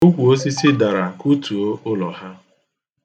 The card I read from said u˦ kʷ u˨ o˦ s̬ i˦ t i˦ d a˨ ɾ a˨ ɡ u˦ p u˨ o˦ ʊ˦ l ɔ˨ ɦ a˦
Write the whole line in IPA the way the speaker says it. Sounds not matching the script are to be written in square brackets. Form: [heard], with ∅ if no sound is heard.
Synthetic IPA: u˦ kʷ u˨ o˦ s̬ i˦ [s] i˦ d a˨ ɾ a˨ [k] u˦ [t] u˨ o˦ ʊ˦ l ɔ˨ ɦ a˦